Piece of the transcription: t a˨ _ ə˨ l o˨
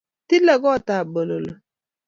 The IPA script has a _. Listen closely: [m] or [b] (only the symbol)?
b